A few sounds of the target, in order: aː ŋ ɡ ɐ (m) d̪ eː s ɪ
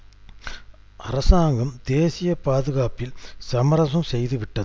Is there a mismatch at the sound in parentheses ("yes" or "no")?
no